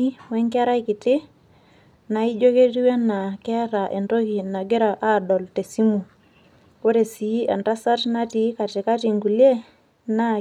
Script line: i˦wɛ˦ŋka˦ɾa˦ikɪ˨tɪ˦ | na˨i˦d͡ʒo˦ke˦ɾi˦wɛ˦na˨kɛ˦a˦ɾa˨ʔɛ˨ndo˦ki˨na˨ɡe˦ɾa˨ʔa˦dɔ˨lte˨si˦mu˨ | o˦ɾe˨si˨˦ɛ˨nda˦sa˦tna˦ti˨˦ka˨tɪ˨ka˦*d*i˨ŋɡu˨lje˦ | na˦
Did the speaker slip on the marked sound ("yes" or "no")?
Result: yes